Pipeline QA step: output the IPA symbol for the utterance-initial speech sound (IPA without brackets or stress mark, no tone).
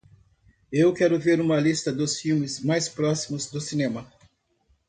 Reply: e